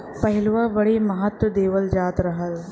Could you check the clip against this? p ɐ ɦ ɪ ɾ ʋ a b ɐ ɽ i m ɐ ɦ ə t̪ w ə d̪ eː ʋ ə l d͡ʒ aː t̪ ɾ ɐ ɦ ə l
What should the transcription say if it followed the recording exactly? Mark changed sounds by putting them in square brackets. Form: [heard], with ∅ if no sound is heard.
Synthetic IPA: p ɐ ɦ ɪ [l] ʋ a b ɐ ɽ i m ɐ ɦ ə t̪ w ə d̪ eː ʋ ə l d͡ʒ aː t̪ ɾ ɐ ɦ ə l